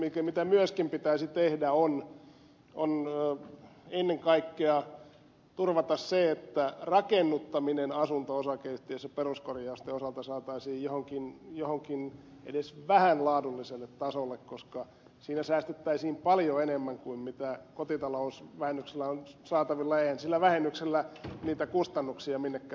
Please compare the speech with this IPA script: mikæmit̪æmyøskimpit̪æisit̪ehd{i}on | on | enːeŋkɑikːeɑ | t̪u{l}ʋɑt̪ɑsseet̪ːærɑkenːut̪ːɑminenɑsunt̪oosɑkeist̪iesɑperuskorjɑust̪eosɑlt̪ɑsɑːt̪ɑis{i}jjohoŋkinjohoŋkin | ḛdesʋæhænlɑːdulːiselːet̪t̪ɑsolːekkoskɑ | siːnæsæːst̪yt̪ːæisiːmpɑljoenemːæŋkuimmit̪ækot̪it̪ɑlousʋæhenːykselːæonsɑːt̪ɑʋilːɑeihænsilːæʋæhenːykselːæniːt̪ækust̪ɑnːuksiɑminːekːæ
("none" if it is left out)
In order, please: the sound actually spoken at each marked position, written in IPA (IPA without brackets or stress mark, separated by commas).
æ, r, iː